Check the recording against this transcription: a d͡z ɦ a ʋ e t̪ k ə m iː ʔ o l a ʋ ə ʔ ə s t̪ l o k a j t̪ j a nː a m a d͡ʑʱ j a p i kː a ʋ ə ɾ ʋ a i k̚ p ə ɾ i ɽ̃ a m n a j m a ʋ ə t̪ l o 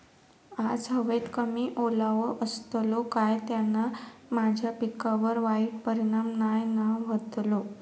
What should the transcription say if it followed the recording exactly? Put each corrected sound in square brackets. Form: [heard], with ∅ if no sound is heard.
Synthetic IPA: a d͡z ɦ [ə] ʋ e t̪ k ə m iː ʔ o l a ʋ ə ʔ ə s t̪ l o k a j t̪ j a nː a m a d͡ʑʱ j a p i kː a ʋ ə ɾ ʋ a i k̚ p ə ɾ i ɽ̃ a m n a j [n] a ʋ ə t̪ l o